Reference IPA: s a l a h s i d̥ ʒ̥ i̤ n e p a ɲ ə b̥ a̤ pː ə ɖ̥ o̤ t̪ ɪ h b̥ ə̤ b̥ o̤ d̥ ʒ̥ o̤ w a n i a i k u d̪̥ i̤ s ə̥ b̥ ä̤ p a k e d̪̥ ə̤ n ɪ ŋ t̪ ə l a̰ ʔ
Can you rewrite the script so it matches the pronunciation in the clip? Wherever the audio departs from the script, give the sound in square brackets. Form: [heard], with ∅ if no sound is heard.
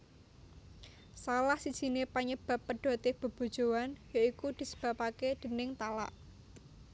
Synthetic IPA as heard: s a l a h s i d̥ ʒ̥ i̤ n e p a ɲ ə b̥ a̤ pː ə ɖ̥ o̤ t̪ ɪ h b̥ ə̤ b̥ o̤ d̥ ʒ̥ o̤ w a n [j] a i k u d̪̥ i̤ s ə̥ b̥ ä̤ p a k e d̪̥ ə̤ n ɪ ŋ t̪ [a] l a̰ ʔ